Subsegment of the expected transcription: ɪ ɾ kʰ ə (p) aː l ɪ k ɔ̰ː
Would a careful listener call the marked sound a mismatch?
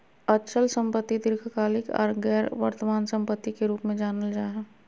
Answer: yes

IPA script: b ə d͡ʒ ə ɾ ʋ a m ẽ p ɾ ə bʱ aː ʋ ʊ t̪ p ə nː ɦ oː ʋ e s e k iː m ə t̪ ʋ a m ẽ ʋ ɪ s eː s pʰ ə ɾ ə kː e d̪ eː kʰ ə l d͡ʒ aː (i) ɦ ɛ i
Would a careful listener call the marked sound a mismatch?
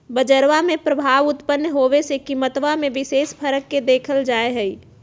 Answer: yes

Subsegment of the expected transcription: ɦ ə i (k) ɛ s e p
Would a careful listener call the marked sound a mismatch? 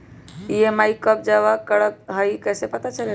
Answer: no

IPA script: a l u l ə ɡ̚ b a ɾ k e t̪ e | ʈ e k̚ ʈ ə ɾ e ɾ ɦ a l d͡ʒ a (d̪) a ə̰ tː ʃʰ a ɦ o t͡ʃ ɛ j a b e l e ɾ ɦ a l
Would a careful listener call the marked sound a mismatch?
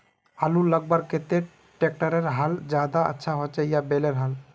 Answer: no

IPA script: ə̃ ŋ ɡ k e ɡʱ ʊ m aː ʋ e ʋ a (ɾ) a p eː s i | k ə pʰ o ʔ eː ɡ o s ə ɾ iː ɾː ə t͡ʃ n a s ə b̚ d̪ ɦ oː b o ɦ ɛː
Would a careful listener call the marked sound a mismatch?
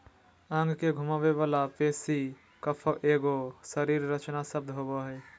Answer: yes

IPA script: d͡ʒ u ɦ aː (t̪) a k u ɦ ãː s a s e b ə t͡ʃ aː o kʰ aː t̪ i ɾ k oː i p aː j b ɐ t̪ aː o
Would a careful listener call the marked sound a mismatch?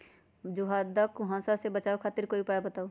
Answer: yes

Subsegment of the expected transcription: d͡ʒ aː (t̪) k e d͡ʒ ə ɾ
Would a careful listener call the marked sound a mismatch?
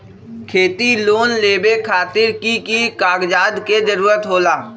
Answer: yes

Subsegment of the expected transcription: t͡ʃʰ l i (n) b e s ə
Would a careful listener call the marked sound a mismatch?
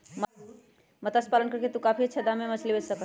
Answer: yes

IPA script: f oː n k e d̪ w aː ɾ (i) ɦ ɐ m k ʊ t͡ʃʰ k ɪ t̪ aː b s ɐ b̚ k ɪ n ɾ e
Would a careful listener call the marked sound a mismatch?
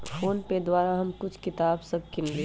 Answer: yes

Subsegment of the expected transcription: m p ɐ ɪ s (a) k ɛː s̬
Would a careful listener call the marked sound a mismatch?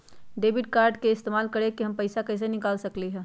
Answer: no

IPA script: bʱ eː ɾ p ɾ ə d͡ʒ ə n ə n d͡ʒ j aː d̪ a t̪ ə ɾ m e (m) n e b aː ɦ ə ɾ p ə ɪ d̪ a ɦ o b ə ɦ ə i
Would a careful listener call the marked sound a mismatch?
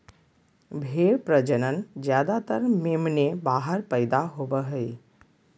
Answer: no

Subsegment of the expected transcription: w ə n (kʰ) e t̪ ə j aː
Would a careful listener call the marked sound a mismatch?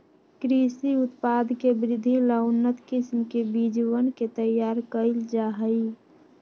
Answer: yes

